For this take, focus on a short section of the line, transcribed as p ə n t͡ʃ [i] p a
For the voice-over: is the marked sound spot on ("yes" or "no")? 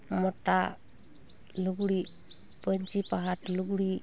yes